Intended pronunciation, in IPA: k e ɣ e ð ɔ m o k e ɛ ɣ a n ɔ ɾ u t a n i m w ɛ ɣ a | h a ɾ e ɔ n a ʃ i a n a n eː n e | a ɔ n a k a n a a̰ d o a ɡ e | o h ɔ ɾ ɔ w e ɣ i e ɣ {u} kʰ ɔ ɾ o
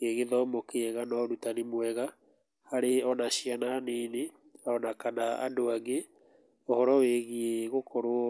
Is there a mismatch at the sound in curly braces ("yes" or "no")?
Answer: yes